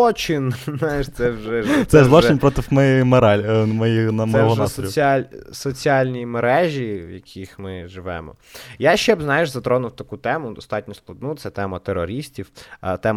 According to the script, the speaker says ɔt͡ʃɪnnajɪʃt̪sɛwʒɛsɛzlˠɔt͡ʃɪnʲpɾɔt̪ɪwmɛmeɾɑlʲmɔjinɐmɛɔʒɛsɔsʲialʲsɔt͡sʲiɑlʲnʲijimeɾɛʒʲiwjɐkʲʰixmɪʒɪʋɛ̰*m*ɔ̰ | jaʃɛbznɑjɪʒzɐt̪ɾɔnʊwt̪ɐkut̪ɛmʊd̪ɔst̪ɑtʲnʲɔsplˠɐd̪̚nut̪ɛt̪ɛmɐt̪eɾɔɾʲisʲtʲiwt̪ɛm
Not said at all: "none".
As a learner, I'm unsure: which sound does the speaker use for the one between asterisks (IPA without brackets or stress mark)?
m